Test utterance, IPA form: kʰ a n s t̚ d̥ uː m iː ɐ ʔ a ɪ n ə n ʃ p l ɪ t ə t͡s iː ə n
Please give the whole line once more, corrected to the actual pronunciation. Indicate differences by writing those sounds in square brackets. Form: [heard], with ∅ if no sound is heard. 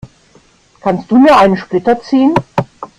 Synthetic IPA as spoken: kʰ a n s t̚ d̥ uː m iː ɐ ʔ a ɪ n ə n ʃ p l ɪ t [ɐ] t͡s iː ə n